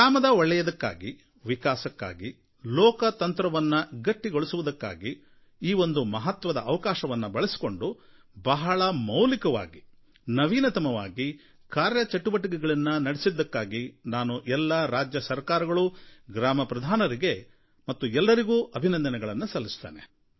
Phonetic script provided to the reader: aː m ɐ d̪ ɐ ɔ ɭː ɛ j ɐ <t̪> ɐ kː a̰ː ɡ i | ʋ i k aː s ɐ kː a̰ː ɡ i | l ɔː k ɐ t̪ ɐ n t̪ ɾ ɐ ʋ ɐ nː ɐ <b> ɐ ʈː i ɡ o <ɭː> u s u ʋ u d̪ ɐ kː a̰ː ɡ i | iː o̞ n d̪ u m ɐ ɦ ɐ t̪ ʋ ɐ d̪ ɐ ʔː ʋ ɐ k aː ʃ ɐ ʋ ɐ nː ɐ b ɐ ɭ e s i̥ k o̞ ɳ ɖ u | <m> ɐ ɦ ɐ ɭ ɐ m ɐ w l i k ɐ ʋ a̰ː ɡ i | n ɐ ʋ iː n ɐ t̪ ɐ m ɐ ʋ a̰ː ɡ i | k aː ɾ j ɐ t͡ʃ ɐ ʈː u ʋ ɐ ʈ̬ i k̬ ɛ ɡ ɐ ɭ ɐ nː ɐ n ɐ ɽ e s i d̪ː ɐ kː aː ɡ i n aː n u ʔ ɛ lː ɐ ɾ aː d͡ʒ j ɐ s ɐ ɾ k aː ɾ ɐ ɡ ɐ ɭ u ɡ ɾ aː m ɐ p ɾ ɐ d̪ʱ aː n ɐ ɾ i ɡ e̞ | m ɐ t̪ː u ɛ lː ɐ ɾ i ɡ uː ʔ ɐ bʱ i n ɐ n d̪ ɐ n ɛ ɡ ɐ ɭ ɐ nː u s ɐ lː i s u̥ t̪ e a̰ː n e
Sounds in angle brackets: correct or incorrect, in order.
incorrect, incorrect, incorrect, incorrect

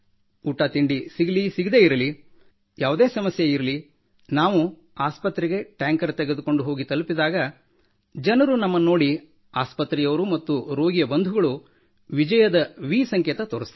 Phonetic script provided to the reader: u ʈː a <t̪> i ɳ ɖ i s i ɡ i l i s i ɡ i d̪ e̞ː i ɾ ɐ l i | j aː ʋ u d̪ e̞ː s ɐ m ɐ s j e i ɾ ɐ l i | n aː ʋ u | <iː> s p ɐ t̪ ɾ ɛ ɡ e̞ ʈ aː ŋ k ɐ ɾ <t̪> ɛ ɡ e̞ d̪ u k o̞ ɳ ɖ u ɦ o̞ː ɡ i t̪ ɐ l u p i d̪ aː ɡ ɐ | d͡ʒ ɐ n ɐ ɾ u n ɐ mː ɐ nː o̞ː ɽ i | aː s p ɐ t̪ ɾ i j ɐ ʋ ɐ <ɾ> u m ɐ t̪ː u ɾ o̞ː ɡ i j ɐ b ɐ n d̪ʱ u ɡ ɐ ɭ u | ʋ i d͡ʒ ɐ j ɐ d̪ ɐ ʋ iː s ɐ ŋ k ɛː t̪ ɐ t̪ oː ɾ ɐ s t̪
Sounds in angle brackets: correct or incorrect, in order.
correct, incorrect, correct, correct

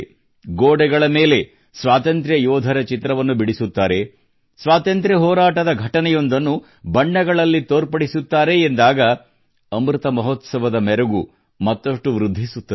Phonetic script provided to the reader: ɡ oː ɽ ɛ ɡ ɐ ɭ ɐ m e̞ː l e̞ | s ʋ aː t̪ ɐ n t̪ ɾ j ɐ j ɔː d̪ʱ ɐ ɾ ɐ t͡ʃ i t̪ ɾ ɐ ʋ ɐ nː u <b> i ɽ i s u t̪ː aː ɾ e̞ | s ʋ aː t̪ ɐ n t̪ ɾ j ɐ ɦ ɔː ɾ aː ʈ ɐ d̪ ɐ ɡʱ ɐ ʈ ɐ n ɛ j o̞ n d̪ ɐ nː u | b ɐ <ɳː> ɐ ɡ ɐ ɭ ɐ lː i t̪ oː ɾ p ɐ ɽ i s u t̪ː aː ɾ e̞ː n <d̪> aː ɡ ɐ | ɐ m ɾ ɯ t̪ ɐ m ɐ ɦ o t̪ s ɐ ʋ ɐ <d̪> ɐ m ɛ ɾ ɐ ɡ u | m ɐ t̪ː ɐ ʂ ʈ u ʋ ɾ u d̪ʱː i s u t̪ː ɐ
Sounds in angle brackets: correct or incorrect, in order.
correct, correct, correct, correct

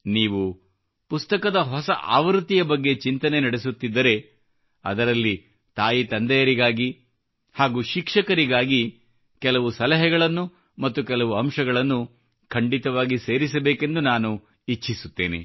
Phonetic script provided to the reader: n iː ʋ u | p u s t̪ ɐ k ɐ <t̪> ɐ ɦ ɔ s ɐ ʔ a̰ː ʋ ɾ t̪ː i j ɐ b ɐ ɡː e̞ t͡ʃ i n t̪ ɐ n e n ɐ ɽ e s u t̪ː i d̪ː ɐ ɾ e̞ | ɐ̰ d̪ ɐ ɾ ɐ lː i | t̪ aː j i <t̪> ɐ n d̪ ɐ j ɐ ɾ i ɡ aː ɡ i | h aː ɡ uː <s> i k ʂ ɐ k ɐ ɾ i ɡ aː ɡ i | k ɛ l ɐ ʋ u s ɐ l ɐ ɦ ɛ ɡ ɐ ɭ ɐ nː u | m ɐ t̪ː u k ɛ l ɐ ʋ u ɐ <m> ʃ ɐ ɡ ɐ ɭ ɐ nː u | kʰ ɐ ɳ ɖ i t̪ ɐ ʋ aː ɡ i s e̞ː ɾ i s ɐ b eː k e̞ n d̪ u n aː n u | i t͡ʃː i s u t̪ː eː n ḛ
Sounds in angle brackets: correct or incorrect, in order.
incorrect, correct, incorrect, correct

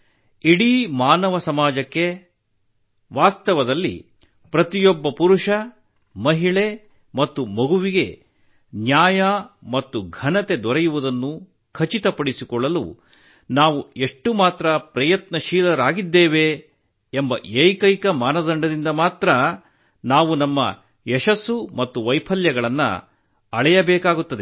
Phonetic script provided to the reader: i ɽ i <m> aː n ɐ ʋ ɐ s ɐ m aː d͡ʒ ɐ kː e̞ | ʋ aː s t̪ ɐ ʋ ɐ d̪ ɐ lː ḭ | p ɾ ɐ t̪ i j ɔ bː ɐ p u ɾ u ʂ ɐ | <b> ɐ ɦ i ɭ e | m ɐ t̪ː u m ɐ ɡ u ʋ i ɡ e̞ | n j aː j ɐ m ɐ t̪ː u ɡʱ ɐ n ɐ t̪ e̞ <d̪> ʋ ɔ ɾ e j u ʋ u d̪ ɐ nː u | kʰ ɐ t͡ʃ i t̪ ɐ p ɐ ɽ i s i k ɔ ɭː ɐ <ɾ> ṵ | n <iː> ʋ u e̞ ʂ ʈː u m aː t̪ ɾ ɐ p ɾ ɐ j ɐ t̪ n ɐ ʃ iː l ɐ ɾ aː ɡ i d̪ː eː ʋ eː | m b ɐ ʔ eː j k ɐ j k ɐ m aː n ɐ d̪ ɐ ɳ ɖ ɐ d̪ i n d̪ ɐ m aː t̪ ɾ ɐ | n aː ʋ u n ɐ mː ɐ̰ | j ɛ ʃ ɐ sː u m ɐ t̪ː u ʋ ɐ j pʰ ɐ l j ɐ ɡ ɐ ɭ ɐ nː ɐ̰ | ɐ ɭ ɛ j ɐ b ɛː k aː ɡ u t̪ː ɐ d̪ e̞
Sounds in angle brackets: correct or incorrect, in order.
correct, incorrect, correct, incorrect, incorrect

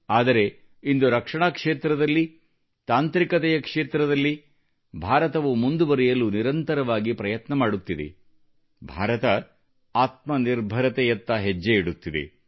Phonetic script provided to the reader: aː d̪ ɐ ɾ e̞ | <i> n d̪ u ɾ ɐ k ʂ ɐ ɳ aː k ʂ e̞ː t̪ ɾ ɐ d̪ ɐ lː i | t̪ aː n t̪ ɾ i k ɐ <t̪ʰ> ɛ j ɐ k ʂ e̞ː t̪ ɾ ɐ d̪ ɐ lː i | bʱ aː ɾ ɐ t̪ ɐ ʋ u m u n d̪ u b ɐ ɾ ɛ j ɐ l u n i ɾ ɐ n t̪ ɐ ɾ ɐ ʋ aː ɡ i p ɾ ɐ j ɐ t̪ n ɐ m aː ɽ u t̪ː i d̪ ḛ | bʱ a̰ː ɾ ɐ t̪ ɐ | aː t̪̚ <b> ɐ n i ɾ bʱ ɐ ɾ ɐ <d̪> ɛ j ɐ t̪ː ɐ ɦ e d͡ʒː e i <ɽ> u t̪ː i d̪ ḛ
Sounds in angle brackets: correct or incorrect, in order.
correct, incorrect, incorrect, incorrect, correct

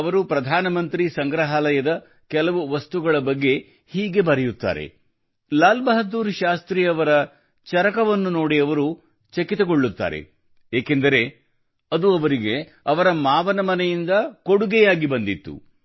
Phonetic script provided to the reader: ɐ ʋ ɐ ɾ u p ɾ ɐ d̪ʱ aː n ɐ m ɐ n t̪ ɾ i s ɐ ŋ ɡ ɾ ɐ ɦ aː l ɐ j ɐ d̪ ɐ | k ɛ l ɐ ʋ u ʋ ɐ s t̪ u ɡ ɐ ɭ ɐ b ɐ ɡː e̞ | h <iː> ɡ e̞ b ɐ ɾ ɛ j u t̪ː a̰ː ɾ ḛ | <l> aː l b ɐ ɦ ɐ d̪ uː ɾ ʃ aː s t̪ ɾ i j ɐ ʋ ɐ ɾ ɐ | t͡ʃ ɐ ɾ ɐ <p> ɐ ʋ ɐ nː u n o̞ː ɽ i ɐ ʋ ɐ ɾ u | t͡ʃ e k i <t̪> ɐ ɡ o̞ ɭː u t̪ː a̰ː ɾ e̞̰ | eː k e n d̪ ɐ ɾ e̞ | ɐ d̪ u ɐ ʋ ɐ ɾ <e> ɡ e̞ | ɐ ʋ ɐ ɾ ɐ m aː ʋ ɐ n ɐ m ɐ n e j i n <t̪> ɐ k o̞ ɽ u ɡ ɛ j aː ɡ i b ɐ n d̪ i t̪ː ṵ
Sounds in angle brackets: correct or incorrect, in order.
correct, correct, incorrect, correct, incorrect, incorrect

